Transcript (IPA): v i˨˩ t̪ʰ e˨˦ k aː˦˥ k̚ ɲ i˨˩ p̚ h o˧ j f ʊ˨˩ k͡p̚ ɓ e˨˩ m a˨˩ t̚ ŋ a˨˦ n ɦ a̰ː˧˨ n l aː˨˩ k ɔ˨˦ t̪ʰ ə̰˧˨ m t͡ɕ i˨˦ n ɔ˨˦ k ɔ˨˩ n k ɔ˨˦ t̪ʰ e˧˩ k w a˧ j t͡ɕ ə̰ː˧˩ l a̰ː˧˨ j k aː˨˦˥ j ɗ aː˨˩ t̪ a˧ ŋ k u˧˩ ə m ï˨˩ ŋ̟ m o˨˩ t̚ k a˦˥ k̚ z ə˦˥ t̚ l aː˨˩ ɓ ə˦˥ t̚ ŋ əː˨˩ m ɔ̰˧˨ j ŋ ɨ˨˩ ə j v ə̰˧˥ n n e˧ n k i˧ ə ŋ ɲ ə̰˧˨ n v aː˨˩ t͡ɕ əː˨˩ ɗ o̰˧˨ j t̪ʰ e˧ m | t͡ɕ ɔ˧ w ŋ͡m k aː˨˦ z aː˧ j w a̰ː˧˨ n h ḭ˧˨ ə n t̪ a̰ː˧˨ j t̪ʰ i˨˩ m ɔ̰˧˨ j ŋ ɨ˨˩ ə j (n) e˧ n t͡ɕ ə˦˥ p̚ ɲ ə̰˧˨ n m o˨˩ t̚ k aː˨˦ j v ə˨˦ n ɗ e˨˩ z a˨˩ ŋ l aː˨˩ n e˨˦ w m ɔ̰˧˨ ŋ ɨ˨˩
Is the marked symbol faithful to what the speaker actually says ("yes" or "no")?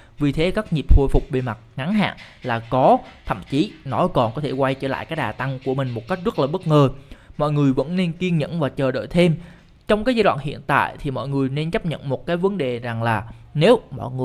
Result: yes